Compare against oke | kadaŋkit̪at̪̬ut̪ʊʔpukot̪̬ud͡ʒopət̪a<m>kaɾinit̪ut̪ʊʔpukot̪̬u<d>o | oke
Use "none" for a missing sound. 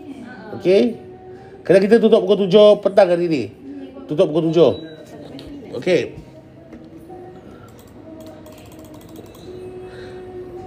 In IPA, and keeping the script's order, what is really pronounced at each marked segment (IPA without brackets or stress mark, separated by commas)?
ŋ, d͡ʒ